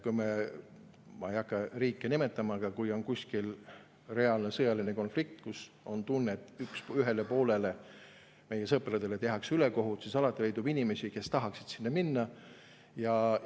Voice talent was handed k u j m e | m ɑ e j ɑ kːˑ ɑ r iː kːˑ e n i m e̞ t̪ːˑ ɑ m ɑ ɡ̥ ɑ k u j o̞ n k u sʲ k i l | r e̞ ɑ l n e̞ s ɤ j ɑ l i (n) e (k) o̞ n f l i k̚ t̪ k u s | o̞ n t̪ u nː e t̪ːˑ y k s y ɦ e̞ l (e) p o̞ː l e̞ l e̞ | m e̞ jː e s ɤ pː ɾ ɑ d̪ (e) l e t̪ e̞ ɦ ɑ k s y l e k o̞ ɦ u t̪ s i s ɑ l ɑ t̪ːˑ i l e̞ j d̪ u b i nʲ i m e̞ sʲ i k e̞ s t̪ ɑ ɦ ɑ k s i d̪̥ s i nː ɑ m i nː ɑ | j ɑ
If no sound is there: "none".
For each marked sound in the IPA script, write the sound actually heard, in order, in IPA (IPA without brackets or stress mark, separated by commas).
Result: n, k, e, e